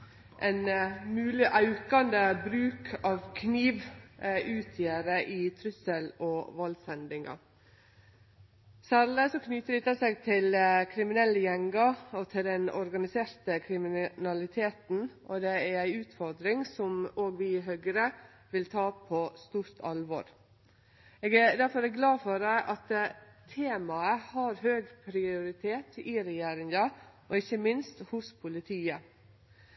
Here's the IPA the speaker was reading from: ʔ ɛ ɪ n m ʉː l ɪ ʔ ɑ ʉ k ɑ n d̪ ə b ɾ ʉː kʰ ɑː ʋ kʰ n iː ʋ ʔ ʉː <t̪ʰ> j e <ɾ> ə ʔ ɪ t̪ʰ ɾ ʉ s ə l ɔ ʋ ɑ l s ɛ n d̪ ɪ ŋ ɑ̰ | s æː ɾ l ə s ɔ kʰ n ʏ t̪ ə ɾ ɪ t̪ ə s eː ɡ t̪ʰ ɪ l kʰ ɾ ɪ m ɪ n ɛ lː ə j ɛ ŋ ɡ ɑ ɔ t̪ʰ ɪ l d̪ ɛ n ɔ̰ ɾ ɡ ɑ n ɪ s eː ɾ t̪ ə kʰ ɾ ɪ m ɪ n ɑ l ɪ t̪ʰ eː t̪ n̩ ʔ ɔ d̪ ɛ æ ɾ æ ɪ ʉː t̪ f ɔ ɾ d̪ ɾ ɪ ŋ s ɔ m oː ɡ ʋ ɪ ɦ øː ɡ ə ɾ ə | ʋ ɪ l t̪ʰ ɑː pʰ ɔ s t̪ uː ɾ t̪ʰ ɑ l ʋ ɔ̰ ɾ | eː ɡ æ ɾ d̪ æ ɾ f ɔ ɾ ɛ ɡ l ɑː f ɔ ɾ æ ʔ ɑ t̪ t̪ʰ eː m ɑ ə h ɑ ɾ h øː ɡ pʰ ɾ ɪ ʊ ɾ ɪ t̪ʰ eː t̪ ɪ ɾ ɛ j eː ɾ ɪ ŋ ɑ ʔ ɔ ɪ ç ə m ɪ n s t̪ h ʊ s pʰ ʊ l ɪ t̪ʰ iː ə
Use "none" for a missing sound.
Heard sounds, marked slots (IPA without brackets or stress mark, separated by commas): t̪ʰ, ɾ